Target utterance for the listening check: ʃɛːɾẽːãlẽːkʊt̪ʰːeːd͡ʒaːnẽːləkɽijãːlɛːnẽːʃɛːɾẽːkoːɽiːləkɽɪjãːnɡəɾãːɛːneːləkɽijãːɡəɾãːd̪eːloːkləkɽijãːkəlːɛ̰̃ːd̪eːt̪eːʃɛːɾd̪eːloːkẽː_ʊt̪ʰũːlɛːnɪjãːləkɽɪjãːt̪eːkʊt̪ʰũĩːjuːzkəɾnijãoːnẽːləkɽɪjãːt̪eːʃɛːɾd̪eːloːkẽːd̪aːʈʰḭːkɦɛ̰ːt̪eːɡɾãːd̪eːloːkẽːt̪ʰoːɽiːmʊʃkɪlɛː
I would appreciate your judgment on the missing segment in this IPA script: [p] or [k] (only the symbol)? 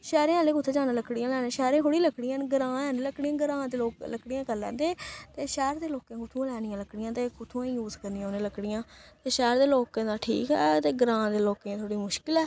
k